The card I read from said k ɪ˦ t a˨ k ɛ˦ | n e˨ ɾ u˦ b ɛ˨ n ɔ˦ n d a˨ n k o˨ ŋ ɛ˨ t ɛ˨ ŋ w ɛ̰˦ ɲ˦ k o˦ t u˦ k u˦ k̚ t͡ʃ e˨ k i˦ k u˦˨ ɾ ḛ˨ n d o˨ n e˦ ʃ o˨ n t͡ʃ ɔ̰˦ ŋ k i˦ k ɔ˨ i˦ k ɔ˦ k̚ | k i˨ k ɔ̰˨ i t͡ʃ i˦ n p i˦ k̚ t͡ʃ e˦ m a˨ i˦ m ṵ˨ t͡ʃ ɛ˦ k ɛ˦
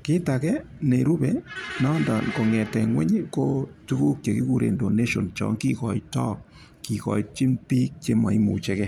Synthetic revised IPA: k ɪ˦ t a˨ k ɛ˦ | n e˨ ɾ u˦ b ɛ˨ n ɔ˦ n d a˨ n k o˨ ŋ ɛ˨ t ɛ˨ ŋ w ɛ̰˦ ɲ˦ k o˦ t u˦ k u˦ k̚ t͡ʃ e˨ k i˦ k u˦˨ ɾ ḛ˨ n d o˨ n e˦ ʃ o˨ n t͡ʃ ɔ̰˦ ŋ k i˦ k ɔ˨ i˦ t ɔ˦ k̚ | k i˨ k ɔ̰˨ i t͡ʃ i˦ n p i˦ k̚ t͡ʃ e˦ m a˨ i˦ m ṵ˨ t͡ʃ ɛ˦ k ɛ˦